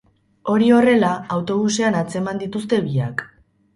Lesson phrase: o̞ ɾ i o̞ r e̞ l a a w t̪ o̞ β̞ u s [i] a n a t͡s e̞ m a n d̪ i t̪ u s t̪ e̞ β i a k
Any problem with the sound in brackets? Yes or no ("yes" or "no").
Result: yes